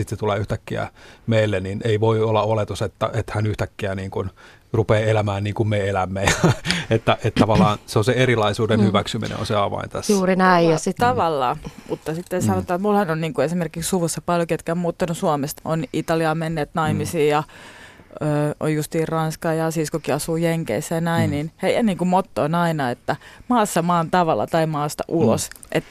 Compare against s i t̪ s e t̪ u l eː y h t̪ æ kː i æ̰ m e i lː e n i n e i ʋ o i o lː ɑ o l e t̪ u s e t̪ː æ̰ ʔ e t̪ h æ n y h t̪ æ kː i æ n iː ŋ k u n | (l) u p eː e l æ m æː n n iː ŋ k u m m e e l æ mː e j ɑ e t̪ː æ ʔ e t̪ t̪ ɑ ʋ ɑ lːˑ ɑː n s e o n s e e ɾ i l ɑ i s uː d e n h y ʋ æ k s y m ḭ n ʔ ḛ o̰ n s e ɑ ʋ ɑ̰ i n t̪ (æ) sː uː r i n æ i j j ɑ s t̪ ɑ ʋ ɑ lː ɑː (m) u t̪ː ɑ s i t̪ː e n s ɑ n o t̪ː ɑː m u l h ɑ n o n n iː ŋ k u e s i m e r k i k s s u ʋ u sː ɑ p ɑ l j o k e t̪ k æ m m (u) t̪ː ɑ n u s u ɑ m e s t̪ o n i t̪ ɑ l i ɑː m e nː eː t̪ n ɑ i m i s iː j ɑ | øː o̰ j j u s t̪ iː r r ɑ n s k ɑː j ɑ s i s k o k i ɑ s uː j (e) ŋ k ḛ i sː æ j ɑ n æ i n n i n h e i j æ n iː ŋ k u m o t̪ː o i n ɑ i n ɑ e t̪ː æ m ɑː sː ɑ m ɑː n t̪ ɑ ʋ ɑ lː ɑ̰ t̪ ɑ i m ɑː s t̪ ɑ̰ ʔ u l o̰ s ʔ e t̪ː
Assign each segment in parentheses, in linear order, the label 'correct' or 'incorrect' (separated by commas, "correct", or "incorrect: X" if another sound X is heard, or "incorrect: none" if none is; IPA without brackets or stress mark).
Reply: incorrect: r, correct, correct, incorrect: uː, correct